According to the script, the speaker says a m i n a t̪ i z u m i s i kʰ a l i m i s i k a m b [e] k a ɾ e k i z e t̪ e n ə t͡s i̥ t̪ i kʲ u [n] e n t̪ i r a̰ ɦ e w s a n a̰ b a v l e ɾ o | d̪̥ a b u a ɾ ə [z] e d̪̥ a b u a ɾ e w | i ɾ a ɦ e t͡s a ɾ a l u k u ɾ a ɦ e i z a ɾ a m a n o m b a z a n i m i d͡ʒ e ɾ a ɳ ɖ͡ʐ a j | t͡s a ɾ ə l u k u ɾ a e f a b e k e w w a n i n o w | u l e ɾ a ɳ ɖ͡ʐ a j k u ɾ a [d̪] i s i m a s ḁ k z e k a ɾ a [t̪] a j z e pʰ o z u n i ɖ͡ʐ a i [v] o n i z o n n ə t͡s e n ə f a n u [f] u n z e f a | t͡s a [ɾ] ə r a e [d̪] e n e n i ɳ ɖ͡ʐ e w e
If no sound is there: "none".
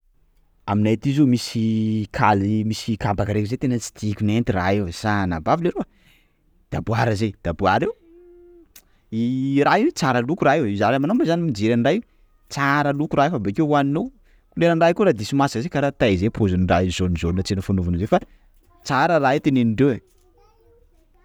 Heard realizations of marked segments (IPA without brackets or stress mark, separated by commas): a, n, z, d̪, t̪, z, v, ɾ, t̪